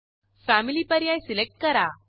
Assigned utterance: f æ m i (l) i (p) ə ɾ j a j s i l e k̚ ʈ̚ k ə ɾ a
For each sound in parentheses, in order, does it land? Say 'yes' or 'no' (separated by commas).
yes, yes